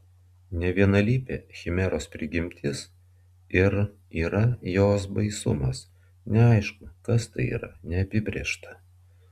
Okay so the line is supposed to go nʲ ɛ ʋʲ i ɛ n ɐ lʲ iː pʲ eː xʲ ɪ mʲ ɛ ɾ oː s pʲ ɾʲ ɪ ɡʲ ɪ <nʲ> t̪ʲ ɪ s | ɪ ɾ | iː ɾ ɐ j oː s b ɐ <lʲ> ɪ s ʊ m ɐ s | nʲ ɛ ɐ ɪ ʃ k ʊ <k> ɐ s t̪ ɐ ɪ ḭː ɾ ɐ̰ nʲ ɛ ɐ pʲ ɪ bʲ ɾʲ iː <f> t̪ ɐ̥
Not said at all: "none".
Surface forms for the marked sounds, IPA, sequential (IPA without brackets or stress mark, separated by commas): mʲ, none, k, ʃ